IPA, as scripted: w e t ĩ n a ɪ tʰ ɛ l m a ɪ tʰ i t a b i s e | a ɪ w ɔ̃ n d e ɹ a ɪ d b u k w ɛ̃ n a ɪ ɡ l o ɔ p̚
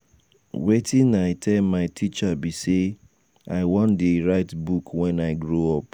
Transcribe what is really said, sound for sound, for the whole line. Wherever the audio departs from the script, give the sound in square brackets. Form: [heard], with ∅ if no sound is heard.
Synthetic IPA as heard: w e t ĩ n a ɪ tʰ ɛ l m a ɪ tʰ i [t͡ʃ] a b i s e | a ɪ w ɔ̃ n d e ɹ a ɪ [t] b u k w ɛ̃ n a ɪ ɡ [ɹ] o ɔ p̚

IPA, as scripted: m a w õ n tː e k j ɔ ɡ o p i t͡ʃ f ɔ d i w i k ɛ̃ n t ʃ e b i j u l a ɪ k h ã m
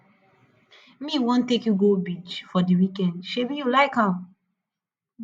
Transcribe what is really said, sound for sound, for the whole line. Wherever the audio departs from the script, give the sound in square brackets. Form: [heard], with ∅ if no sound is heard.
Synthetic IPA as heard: m [i] w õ n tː e k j [u] ɡ o [b] i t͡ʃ f ɔ d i w i k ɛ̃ n [d] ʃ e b i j u l a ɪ k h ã m

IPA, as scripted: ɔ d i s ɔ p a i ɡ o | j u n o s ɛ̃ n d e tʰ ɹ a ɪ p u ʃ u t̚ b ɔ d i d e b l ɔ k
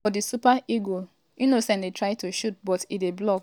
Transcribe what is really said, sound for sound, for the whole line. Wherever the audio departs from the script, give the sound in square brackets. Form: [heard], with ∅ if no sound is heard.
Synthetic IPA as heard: ɔ d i s [u] p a i ɡ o | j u n o s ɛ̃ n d e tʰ ɹ a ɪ [t] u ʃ u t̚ b ɔ [t] i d e b l ɔ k

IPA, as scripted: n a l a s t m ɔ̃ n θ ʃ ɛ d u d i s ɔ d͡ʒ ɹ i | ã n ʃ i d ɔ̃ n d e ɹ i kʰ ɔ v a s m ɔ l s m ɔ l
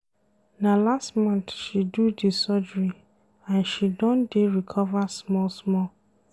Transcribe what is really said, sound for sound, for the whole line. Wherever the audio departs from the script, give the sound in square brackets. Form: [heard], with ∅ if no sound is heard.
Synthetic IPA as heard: n a l a s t m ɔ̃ n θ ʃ [i] d u d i s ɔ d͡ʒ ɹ i | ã n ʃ i d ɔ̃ n d e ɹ i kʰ ɔ v a s m ɔ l s m ɔ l

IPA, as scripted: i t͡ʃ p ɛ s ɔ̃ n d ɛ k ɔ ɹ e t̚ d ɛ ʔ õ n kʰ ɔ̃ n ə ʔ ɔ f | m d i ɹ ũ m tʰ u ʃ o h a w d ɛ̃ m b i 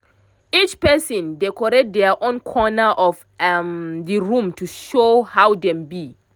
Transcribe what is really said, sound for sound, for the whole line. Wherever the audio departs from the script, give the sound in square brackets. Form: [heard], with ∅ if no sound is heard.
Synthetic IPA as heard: i t͡ʃ p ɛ s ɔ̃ n d ɛ k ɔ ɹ e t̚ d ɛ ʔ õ n kʰ [ɔ] n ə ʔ ɔ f | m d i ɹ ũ m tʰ u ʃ o h a w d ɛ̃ m b i

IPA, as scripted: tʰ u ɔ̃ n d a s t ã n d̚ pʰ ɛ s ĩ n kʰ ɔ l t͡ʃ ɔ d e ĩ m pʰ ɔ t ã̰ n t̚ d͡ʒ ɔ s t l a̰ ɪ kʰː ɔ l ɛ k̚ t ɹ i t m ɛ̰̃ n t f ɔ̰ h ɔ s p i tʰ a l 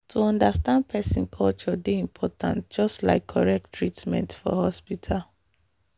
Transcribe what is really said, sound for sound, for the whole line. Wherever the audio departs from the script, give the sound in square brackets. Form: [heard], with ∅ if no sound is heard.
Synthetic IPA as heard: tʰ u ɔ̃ n d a s t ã n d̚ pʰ ɛ s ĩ n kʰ ɔ l t͡ʃ ɔ d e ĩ m pʰ ɔ t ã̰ n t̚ d͡ʒ ɔ s t l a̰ ɪ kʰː ɔ [ɹ] ɛ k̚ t ɹ i t m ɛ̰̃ n t f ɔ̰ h ɔ s p i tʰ a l

